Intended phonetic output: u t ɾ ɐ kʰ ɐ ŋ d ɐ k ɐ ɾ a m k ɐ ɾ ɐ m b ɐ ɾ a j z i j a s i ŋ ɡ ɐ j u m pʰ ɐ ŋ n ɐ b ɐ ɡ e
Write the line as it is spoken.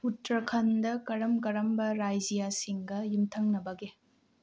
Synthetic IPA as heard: u t ɾ ɐ kʰ ɐ n d ɐ k ɐ ɾ ɐ m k ɐ ɾ ɐ m b ɐ ɾ a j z i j a s i ŋ ɡ ɐ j u m tʰ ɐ ŋ n ɐ b ɐ ɡ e

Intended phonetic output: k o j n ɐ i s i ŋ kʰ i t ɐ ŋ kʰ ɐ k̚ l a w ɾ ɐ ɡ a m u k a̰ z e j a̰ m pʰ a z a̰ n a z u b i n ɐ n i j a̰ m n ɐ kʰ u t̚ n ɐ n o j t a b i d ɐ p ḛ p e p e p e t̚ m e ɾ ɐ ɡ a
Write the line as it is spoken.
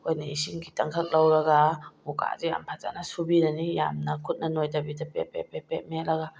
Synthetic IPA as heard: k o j n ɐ i s i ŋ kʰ i t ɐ ŋ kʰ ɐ k̚ l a w ɾ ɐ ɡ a m u k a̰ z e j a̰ m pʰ a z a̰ n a s u b i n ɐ n i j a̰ m n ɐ kʰ u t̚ n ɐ n o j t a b i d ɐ p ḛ p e p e p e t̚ m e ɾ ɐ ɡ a

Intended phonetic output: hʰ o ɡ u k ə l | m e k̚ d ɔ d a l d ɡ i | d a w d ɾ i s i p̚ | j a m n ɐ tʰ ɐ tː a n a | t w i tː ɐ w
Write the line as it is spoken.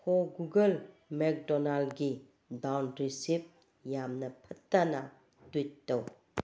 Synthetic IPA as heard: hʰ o ɡ u ɡ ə l | m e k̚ d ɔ n a l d ɡ i | d a w n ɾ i s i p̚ | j a m n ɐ pʰ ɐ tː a n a | t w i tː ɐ w

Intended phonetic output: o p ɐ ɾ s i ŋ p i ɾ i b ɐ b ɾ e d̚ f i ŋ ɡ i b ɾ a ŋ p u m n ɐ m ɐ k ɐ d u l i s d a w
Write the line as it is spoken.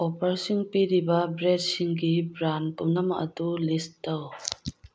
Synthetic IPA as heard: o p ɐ ɾ s i ŋ p i ɾ i b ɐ b ɾ e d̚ s i ŋ ɡ i b ɾ a n p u m n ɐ m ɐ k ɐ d u l i s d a w

